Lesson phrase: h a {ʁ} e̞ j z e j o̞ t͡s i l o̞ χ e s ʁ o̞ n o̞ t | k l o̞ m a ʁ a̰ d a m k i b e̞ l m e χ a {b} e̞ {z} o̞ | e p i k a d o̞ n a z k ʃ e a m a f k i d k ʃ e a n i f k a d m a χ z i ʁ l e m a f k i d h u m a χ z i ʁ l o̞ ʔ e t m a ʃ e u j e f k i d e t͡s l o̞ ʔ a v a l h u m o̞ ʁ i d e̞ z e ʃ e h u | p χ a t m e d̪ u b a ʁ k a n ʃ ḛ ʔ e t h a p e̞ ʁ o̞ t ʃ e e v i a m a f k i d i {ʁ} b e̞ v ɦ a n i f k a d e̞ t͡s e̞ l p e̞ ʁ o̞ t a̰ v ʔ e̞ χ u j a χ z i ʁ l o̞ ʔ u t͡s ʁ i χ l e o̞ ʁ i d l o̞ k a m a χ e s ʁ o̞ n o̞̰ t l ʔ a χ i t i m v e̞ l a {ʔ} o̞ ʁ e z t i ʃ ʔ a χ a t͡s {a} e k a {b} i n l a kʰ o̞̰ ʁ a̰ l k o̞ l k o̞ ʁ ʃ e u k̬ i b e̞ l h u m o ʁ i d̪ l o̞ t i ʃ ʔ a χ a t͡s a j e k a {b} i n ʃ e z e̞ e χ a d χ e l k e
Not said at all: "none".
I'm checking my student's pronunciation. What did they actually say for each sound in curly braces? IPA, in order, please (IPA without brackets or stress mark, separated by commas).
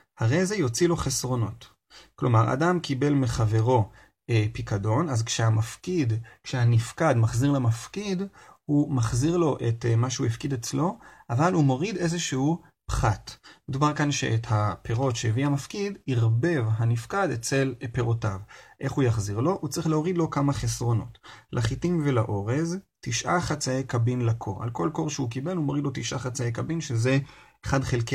ʁ, v, ʁ, ʁ, ʔ, a, b, b